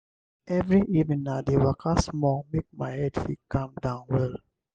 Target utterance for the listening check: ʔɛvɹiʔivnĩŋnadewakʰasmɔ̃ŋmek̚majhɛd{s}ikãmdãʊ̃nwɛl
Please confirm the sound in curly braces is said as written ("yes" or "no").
no